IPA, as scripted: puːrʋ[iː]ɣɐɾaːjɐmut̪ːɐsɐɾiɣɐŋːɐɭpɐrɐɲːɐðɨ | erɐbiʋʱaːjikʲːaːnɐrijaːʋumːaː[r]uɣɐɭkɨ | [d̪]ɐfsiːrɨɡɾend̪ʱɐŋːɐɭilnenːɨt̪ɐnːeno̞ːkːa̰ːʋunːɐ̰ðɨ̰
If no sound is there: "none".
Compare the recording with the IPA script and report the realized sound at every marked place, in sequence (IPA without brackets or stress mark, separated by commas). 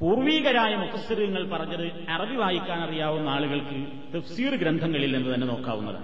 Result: iː, ɭ, t̪